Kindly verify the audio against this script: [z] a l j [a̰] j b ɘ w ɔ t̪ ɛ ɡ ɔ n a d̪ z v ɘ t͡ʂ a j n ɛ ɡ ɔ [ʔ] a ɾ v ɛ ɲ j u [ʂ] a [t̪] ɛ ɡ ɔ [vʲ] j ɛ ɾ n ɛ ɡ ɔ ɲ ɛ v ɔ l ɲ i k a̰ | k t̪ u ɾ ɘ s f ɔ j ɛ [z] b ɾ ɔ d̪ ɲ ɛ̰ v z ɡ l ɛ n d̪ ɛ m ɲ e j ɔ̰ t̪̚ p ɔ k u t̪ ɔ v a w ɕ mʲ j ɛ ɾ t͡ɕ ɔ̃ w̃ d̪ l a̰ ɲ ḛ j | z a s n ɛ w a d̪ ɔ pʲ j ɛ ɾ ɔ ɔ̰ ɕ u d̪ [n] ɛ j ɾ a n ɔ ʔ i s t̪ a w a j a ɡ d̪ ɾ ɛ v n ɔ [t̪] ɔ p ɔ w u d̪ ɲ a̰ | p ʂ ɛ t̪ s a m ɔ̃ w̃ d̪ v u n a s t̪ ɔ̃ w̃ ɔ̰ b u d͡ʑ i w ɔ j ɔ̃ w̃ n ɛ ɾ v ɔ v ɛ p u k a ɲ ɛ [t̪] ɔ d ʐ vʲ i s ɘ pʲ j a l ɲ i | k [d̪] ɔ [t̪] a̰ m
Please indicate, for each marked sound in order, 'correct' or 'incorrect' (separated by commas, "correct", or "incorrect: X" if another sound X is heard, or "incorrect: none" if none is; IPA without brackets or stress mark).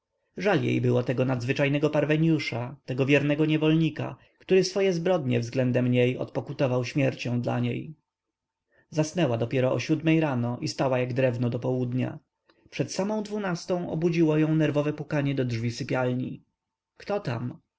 incorrect: ʐ, incorrect: ḛ, incorrect: p, correct, correct, correct, correct, incorrect: m, incorrect: d̪, incorrect: d̪, incorrect: t̪, correct